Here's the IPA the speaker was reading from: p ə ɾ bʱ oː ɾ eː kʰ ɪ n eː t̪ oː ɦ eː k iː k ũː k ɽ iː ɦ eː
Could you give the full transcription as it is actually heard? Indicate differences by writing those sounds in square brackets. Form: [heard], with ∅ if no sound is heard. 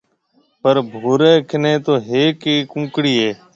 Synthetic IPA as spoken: p ə ɾ bʱ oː ɾ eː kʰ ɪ n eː t̪ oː ɦ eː k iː k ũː k ɽ iː ɦ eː